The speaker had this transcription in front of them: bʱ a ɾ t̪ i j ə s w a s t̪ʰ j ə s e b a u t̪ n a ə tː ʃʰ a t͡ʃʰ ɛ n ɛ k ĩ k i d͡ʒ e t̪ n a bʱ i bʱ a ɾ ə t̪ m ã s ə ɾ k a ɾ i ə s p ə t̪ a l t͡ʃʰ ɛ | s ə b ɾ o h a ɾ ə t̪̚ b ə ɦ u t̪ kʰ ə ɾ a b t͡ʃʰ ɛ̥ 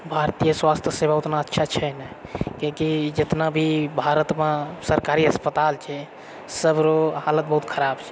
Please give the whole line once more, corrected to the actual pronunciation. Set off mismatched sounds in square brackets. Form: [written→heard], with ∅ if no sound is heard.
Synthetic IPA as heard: bʱ a ɾ t̪ i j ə s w a s t̪ʰ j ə s e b a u t̪ n a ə tː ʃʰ a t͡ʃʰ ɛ n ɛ k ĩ k i d͡ʒ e t̪ n a bʱ i bʱ a ɾ ə t̪ m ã s ə ɾ k a ɾ i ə s p ə t̪ a l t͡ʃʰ ɛ | s ə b ɾ o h a [ɾ→l] ə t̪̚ b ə ɦ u t̪ kʰ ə ɾ a b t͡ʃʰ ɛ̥